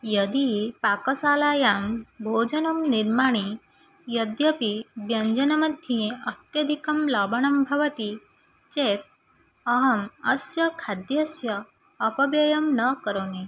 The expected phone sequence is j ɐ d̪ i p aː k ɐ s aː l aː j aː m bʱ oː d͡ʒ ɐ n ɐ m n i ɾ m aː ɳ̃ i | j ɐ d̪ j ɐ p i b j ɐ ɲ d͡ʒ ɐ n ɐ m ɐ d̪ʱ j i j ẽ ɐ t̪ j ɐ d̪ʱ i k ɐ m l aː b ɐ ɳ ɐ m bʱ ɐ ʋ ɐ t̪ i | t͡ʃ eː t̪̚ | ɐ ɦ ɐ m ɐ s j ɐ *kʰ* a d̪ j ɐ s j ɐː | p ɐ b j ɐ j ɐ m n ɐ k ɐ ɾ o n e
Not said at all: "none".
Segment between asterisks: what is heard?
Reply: kʰ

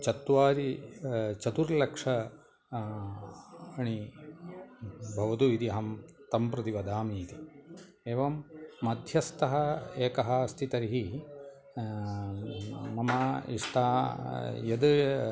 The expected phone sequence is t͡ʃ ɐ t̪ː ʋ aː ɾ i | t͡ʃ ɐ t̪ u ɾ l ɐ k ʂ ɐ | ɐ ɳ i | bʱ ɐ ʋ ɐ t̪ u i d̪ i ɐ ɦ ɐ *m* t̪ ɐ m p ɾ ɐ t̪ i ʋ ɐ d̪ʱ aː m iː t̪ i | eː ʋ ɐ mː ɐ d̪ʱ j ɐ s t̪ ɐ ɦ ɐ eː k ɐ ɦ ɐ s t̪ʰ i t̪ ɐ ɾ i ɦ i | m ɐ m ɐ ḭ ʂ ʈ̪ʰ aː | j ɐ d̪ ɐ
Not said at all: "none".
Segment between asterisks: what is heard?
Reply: m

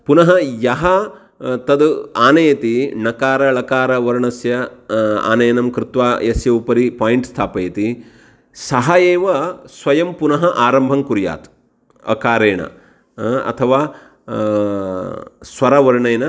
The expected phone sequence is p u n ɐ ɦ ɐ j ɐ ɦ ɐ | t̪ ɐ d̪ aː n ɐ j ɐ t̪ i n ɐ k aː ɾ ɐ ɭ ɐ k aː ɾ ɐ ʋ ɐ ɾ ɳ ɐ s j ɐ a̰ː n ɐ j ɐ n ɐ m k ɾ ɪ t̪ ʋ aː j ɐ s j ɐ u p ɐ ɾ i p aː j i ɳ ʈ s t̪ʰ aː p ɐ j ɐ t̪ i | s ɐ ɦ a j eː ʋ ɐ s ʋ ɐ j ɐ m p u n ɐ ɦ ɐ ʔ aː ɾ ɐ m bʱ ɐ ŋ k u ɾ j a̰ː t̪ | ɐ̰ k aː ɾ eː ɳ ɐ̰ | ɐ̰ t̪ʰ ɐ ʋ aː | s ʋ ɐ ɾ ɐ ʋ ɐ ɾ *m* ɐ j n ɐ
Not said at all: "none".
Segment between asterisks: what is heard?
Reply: ɳ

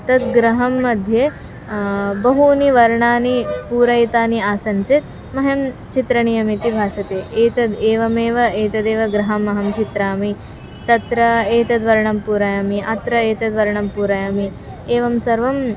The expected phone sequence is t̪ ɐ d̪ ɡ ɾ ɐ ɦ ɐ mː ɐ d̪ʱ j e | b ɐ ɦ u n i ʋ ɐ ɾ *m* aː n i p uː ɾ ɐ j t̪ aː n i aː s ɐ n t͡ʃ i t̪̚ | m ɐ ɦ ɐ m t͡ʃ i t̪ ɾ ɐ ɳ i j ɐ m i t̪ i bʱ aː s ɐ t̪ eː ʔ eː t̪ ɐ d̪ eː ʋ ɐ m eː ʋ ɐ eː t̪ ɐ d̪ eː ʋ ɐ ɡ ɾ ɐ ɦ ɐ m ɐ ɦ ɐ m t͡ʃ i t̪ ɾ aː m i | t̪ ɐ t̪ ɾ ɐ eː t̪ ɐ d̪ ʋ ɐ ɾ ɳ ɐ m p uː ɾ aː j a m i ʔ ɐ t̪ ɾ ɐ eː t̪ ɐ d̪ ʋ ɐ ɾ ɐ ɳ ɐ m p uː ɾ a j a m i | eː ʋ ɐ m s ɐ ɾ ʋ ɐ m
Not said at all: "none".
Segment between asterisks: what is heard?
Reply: ɳ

